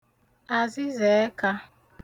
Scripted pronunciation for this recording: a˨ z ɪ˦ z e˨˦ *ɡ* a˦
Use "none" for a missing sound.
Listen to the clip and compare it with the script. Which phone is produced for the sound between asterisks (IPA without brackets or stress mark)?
k